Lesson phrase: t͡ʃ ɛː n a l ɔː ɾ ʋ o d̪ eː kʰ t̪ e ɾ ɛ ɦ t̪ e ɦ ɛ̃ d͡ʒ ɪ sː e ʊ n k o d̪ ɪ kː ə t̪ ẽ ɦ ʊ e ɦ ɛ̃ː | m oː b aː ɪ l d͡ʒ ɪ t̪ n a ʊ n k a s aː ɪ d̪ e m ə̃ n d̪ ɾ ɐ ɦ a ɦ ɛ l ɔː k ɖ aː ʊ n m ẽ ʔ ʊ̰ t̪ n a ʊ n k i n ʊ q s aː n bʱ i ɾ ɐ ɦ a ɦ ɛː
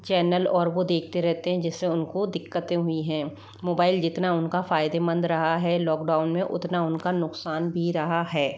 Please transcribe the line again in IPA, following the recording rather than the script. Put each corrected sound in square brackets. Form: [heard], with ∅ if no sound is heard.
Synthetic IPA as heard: t͡ʃ ɛː n [ə] l ɔː ɾ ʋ o d̪ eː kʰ t̪ e ɾ ɛ ɦ t̪ e ɦ ɛ̃ d͡ʒ ɪ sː e ʊ n k o d̪ ɪ kː ə t̪ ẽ ɦ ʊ [i] ɦ ɛ̃ː | m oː b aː ɪ l d͡ʒ ɪ t̪ n a ʊ n k a [f] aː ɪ d̪ e m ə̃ n d̪ ɾ ɐ ɦ a ɦ ɛ l ɔː k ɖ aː ʊ n m ẽ ʔ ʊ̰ t̪ n a ʊ n k [a] n ʊ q s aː n bʱ i ɾ ɐ ɦ a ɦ ɛː